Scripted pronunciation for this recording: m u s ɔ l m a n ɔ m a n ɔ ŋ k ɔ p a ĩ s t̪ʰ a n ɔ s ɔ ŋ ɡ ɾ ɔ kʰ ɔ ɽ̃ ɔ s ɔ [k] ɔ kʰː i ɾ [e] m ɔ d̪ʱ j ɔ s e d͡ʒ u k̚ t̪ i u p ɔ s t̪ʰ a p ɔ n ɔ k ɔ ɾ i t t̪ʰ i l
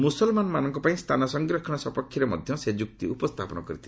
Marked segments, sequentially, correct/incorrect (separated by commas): incorrect, correct